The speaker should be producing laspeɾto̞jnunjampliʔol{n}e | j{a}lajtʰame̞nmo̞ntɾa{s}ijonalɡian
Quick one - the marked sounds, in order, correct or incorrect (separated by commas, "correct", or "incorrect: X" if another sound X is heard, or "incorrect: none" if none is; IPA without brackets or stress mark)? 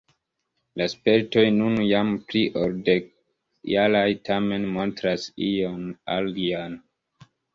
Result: incorrect: d, correct, correct